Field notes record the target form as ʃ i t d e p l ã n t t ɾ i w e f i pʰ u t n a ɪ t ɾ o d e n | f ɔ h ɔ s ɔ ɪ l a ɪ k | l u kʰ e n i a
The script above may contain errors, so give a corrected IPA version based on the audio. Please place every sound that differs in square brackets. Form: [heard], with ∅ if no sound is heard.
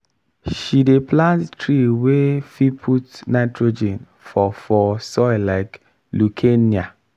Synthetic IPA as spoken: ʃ i [∅] d e p l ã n t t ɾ i w e f i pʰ u t n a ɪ t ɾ o [d͡ʒ] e n | f ɔ [f] ɔ s ɔ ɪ l a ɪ k | l u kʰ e n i a